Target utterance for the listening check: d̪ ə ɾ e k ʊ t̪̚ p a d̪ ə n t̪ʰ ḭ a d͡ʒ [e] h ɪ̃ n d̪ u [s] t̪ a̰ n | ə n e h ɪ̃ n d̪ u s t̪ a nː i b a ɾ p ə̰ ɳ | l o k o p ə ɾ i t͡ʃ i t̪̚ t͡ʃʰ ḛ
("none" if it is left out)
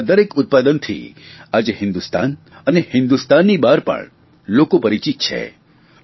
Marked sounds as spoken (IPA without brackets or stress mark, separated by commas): e, s